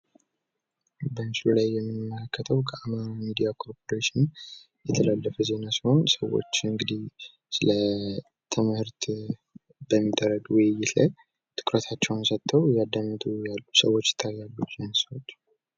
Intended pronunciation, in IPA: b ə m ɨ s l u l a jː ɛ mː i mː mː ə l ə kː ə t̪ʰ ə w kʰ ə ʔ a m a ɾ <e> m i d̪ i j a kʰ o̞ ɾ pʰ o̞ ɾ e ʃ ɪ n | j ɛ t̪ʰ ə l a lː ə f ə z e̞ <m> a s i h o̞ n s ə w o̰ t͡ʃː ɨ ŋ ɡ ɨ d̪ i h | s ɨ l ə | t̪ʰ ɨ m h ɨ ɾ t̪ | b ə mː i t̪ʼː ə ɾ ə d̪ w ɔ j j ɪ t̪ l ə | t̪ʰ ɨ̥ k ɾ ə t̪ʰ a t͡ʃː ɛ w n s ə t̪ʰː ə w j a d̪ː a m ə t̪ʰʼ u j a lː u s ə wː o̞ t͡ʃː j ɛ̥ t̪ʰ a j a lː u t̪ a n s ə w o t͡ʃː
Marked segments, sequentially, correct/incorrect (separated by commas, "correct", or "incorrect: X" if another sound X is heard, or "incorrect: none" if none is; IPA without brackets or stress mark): incorrect: a, incorrect: n